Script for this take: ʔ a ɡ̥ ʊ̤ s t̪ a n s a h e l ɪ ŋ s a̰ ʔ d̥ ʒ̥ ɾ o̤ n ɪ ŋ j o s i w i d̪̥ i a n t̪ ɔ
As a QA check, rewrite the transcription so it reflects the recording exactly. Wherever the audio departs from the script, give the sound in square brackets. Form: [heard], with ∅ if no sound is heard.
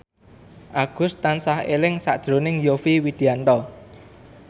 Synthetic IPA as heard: ʔ a ɡ̥ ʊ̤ s t̪ a n s a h e l ɪ ŋ s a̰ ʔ d̥ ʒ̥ ɾ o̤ n ɪ ŋ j o [f] i w i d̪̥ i a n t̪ ɔ